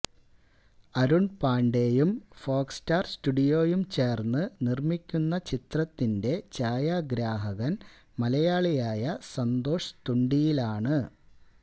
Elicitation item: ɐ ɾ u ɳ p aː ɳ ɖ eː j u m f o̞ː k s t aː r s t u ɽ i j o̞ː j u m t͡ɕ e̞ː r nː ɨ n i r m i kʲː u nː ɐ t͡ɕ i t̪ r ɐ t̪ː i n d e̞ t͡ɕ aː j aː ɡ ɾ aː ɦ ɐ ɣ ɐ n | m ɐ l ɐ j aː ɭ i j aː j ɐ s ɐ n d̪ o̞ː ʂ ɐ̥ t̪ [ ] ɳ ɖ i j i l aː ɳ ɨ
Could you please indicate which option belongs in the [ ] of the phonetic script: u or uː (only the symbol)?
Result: u